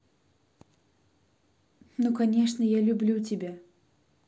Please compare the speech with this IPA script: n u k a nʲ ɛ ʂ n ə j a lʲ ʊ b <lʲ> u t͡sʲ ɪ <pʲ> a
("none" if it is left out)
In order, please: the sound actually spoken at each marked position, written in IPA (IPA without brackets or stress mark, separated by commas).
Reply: lʲ, bʲ